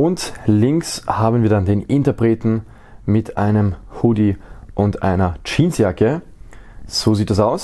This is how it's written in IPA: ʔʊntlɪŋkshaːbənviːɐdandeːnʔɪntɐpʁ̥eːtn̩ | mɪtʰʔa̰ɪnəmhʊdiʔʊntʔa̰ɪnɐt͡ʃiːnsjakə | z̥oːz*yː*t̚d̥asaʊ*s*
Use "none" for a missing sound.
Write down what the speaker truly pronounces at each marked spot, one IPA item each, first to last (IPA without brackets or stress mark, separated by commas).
iː, s